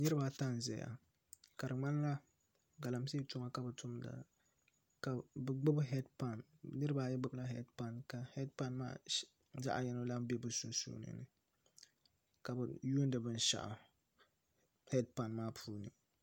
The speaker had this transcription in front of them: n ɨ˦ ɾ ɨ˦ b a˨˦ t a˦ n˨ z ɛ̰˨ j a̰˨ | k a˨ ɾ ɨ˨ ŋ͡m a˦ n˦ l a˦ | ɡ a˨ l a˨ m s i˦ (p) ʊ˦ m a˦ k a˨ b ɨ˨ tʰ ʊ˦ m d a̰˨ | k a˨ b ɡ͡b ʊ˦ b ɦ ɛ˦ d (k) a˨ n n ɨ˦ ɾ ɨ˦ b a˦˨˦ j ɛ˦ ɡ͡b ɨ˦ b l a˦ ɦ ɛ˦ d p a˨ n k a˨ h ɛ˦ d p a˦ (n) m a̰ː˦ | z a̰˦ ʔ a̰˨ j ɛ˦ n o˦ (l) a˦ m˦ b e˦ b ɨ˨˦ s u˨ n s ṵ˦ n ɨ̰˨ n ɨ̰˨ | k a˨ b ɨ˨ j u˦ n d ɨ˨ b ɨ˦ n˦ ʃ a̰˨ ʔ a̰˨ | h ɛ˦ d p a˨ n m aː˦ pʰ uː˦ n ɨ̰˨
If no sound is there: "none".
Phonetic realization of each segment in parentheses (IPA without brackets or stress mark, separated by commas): t, p, n, l